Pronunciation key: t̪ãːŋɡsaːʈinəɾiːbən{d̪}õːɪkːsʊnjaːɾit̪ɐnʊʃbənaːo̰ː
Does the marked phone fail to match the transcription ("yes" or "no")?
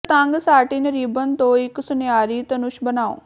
yes